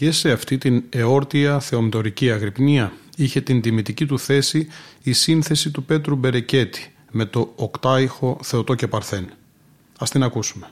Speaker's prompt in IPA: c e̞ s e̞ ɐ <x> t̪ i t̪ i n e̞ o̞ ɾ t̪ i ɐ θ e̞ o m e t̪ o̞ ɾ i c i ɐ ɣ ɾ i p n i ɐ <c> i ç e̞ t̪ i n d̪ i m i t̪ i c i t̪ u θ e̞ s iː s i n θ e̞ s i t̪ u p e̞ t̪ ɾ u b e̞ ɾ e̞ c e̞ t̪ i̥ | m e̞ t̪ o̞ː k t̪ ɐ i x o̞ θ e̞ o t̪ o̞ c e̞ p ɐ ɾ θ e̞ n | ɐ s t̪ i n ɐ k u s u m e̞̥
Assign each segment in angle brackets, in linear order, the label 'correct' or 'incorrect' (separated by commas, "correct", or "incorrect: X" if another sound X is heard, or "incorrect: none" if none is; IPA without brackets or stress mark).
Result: incorrect: f, incorrect: none